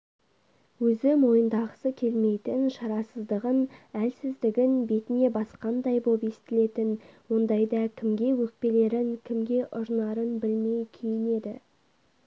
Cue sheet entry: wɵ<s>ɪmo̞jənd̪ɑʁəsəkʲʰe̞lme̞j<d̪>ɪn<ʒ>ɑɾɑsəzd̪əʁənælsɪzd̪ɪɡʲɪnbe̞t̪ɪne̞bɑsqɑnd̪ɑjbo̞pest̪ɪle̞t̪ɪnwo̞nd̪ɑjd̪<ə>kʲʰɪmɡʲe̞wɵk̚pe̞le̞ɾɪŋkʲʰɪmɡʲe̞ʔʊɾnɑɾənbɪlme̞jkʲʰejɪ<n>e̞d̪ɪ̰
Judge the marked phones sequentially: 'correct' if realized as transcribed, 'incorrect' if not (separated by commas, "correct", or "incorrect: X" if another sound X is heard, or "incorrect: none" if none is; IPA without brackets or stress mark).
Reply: incorrect: z, incorrect: t̪, incorrect: ʃ, incorrect: ɑ, correct